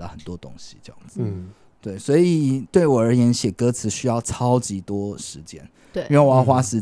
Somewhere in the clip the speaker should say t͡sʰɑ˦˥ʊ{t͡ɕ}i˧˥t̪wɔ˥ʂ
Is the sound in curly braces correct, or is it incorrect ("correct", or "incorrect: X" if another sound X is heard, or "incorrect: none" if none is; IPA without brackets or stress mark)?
correct